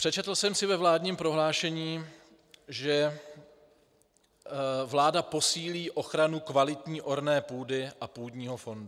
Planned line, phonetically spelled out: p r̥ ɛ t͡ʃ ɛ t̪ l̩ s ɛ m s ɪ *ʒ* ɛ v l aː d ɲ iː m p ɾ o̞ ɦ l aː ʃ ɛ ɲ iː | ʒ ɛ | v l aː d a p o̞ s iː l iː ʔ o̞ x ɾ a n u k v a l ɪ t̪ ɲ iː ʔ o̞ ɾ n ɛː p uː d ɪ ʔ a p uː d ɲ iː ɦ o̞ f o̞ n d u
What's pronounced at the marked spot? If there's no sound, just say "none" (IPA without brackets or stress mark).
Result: v